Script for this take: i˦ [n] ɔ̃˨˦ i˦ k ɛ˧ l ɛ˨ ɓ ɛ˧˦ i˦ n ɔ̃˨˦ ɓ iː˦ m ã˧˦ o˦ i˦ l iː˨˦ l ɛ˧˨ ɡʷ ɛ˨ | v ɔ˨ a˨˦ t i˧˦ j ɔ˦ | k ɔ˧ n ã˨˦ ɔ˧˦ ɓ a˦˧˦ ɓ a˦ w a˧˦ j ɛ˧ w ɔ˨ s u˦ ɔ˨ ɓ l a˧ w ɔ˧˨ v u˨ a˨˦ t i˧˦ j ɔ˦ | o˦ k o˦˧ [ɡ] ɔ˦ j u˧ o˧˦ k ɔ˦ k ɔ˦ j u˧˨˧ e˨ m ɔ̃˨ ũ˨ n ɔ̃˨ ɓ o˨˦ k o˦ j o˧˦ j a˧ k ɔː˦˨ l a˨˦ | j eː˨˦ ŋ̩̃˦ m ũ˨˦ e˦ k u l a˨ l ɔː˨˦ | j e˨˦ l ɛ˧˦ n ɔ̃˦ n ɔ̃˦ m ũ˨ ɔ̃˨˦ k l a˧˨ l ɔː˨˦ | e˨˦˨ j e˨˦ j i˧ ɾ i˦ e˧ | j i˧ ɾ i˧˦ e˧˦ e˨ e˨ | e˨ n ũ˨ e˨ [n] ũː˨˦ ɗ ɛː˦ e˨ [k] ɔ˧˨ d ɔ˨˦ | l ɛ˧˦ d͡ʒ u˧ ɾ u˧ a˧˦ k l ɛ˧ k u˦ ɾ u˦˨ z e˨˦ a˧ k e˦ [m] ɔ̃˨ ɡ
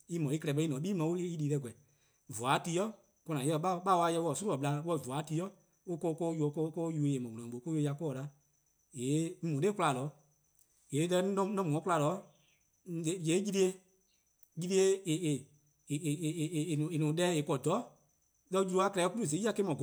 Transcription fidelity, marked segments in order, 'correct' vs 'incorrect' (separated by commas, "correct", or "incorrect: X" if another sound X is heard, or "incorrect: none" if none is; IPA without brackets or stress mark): incorrect: m, incorrect: k, correct, correct, correct